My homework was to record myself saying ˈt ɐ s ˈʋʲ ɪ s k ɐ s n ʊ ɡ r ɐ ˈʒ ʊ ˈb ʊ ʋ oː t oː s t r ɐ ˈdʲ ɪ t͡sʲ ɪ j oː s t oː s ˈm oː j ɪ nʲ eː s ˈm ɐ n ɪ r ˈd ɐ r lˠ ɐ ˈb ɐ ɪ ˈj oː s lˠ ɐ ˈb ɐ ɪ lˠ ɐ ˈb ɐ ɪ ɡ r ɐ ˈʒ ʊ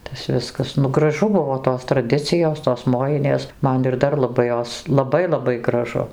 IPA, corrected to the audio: ˈt ɐ s ˈʋʲ ɪ s k ɐ s n ʊ ɡ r ɐ ˈʒ ʊ ˈb ʊ ʋ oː t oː s t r ɐ ˈdʲ ɪ t͡sʲ ɪ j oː s t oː s ˈm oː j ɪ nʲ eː s ˈm ɐ n ɪ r ˈd ɐ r lˠ ɐ ˈb ɐ ɪ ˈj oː s lˠ ɐ ˈb ɐ ɪ lˠ ɐ ˈb ɐ ɪ ɡ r ɐ ˈʒ ʊ